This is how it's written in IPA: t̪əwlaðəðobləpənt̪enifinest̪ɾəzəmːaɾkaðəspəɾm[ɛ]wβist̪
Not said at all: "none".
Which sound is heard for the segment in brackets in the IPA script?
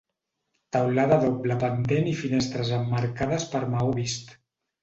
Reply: a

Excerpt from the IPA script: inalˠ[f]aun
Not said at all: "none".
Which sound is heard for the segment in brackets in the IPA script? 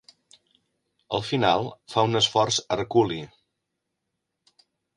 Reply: f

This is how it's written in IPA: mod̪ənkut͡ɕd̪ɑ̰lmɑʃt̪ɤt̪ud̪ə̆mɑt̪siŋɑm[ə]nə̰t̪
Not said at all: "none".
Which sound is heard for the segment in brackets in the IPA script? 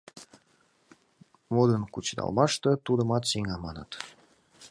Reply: ɑ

